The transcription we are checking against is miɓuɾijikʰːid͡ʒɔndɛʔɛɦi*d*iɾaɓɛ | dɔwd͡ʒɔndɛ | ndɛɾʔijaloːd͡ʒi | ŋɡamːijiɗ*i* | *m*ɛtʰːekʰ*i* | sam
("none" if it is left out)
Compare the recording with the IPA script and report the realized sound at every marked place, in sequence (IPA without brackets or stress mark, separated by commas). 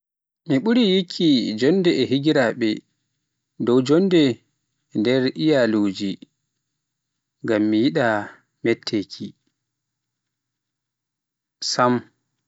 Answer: ɡ, a, m, i